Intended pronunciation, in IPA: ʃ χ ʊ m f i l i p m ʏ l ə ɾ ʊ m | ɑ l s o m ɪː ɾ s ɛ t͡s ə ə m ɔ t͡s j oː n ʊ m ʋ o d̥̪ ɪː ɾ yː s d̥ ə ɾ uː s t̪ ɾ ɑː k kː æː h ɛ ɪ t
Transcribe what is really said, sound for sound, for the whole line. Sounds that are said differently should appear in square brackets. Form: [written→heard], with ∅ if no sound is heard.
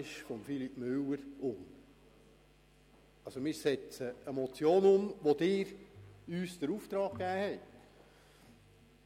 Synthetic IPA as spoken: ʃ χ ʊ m f i l i p m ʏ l ə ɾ ʊ m | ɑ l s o m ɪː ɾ s ɛ t͡s ə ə m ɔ t͡s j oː n ʊ m ʋ o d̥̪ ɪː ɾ yː s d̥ ə ɾ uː [s→f] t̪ ɾ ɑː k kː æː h ɛ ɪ t

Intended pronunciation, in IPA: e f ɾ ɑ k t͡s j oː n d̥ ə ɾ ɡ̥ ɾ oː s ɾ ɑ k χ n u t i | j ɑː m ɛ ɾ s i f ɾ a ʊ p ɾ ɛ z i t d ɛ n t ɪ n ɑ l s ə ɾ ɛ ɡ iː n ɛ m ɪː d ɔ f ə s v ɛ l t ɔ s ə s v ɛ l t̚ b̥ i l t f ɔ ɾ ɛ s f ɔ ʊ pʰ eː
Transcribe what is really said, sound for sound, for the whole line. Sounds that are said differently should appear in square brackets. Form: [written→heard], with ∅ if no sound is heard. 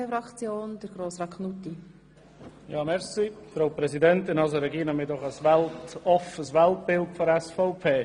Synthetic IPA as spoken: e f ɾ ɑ k t͡s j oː n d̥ ə ɾ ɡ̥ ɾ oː s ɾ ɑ k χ n u t i | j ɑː m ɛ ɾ s i f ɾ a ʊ p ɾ ɛ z i [t→∅] d ɛ n t ɪ n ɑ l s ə ɾ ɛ ɡ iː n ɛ m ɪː d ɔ [f→χ] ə s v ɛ l t ɔ [s→f] ə s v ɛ l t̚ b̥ [i→ɪ] l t f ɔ ɾ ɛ s f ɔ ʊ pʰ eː

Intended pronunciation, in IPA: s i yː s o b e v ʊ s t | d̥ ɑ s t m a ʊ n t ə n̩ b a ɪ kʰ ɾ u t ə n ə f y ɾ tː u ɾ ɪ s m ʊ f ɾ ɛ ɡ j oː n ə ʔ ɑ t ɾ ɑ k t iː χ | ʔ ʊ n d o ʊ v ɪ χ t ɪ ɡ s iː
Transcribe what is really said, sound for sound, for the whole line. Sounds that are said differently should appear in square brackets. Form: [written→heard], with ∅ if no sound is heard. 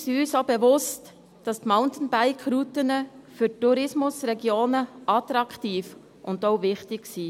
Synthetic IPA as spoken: s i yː s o b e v ʊ s t | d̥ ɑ s t m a ʊ n t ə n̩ b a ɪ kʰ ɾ u t ə n ə f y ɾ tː u ɾ ɪ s m ʊ [f→s] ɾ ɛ ɡ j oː n ə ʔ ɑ t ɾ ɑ k t iː [χ→f] | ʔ ʊ n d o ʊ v ɪ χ t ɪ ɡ s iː

